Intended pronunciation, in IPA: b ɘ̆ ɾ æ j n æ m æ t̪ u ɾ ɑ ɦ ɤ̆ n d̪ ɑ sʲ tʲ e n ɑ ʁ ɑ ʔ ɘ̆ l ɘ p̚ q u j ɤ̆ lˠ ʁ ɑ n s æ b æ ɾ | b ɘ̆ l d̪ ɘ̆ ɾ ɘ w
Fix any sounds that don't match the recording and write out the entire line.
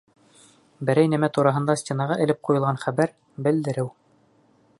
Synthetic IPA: b ɘ̆ ɾ æ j n æ m æ t̪ u ɾ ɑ ɦ ɤ̆ n d̪ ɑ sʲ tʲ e n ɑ ʁ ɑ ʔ ɘ̆ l ɘ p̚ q u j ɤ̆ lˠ ʁ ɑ n χ æ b æ ɾ | b ɘ̆ l d̪ ɘ̆ ɾ ɘ w